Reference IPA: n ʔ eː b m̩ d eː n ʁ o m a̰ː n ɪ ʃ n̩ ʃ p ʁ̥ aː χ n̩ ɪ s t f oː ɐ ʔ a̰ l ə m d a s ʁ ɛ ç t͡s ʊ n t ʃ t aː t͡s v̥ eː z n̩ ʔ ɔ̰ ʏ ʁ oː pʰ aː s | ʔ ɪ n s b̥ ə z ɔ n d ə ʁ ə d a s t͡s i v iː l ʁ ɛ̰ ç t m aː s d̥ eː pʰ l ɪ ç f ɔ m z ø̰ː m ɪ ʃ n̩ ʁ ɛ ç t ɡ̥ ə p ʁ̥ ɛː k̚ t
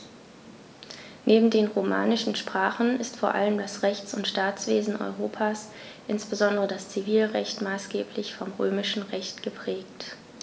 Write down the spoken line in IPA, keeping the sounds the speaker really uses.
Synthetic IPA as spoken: n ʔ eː b m̩ d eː n ʁ o m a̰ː n ɪ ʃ n̩ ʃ p ʁ̥ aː χ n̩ ɪ s t f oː ɐ ʔ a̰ l ə m d a s ʁ ɛ ç t͡s ʊ n t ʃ t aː t͡s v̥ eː z n̩ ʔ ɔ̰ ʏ ʁ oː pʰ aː s | ʔ ɪ n s b̥ ə z ɔ n d ə ʁ ə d a s t͡s i v iː l ʁ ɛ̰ ç t m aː s ɡ̥ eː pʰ l ɪ ç f ɔ m ʁ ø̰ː m ɪ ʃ n̩ ʁ ɛ ç t ɡ̥ ə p ʁ̥ ɛː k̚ t

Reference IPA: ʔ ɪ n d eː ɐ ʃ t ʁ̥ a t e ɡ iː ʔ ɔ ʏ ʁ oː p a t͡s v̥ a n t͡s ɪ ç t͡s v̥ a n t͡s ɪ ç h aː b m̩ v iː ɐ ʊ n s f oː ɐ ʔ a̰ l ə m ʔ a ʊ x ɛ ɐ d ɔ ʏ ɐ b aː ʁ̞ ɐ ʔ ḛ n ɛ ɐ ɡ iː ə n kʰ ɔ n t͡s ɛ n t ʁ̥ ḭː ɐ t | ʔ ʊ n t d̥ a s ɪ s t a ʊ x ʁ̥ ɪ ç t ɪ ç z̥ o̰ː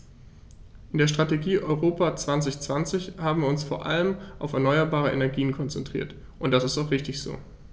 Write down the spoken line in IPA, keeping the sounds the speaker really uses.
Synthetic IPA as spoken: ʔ ɪ n d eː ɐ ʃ t ʁ̥ a t e ɡ iː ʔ ɔ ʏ ʁ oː p a t͡s v̥ a n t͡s ɪ ç t͡s v̥ a n t͡s ɪ ç h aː b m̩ v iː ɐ ʊ n s f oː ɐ ʔ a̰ l ə m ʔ a ʊ f ɛ ɐ n ɔ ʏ ɐ b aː ʁ̞ ə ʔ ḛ n ɛ ɐ ɡ iː ə n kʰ ɔ n t͡s ɛ n t ʁ̥ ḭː ɐ t | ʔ ʊ n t d̥ a s ɪ s t a ʊ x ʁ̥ ɪ ç t ɪ ç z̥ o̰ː

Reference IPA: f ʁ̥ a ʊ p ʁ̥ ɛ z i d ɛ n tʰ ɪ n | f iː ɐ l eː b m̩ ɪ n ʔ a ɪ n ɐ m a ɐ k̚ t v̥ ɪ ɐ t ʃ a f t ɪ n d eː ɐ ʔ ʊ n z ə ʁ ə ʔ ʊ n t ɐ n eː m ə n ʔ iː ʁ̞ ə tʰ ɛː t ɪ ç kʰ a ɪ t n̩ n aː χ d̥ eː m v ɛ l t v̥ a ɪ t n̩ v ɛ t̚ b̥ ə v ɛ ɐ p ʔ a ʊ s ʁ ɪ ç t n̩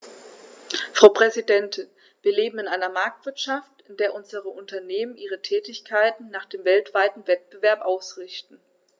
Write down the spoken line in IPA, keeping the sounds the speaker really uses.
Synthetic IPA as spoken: f ʁ̥ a ʊ p ʁ̥ ɛ z i d ɛ n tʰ ɪ n | v iː ɐ l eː b m̩ ɪ n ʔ a ɪ n ɐ m a ɐ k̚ t v̥ ɪ ɐ t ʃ a f t ɪ n d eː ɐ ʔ ʊ n z ə ʁ ə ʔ ʊ n t ɐ n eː m ə n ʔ iː ʁ̞ ə tʰ ɛː t ɪ ç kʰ a ɪ t n̩ n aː χ d̥ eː m v ɛ l t v̥ a ɪ t n̩ v ɛ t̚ b̥ ə v ɛ ɐ p ʔ a ʊ s ʁ ɪ ç t n̩

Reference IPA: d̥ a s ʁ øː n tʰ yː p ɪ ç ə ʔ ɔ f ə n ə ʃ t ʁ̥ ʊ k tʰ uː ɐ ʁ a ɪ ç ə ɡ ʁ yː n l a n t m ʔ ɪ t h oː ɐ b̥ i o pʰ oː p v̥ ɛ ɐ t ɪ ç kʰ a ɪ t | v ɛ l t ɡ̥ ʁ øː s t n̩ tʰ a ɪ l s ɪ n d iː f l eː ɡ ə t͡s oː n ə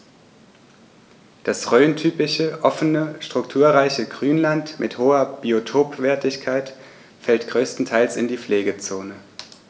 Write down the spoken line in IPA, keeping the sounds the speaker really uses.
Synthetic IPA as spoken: d̥ a s ʁ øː n tʰ yː p ɪ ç ə ʔ ɔ f ə n ə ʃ t ʁ̥ ʊ k tʰ uː ɐ ʁ a ɪ ç ə ɡ ʁ yː n l a n t m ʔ ɪ t h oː ɐ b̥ i o tʰ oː p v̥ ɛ ɐ t ɪ ç kʰ a ɪ t | f ɛ l t ɡ̥ ʁ øː s t n̩ tʰ a ɪ l s ɪ n d iː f l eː ɡ ə t͡s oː n ə

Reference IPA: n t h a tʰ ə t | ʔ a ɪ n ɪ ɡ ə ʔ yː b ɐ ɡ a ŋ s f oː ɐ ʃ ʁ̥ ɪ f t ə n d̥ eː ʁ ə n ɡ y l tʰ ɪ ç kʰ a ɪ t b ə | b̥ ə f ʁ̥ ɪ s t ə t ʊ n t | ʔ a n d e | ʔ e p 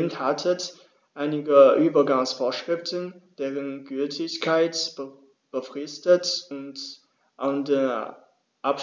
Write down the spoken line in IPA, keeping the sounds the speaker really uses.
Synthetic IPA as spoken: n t h a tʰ ə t | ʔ a ɪ n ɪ ɡ ə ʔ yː b ɐ ɡ a ŋ s f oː ɐ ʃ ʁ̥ ɪ f t ə n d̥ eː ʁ ə n ɡ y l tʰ ɪ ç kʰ a ɪ t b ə | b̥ ə f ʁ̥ ɪ s t ə t ʊ n t | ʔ a n d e | ʔ a p

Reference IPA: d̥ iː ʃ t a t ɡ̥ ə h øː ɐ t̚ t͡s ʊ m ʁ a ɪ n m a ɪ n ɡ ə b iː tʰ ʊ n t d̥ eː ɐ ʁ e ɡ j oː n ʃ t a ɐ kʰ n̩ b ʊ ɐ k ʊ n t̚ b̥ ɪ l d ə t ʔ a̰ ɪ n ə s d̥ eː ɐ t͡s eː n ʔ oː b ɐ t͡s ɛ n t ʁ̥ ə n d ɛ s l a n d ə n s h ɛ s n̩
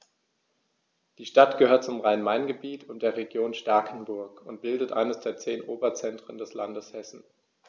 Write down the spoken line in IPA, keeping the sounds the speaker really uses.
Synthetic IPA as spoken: d̥ iː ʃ t a t ɡ̥ ə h øː ɐ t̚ t͡s ʊ m ʁ a ɪ n m a ɪ n ɡ ə b iː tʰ ʊ n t d̥ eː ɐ ʁ e ɡ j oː n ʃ t a ɐ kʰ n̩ b ʊ ɐ k ʊ n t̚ b̥ ɪ l d ə t ʔ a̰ ɪ n ə s d̥ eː ɐ t͡s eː n ʔ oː b ɐ t͡s ɛ n t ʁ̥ ə n d ɛ s l a n d ə s h ɛ s n̩

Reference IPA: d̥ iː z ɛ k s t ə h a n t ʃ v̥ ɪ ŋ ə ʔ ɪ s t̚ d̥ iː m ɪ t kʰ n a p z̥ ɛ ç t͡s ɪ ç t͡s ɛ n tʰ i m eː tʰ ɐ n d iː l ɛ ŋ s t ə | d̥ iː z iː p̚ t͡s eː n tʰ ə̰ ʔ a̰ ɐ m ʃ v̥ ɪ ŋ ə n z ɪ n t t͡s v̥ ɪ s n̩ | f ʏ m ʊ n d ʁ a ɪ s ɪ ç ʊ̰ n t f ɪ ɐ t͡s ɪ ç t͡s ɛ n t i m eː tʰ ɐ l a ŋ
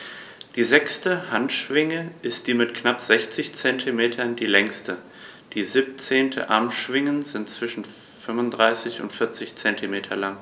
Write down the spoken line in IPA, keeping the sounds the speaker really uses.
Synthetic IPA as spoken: d̥ iː z ɛ k s t ə h a n t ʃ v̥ ɪ ŋ ə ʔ ɪ s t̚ d̥ iː m ɪ t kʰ n a p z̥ ɛ ç t͡s ɪ ç t͡s ɛ n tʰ i m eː tʰ ɐ n d iː l ɛ ŋ s t ə | d̥ iː z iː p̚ t͡s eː n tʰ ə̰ ʔ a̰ ɐ m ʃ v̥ ɪ ŋ ə n z ɪ n t t͡s v̥ ɪ ʃ n̩ | f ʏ m ʊ n d ʁ a ɪ s ɪ ç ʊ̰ n t f ɪ ɐ t͡s ɪ ç t͡s ɛ n t i m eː tʰ ɐ l a ŋ

